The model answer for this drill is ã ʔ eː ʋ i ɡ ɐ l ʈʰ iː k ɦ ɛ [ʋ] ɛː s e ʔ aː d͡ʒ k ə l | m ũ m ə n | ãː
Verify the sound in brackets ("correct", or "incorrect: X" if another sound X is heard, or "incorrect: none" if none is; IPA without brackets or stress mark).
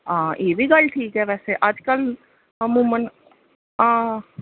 correct